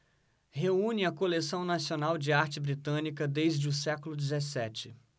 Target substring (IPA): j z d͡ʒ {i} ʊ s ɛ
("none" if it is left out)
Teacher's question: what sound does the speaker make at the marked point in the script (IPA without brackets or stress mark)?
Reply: ɪ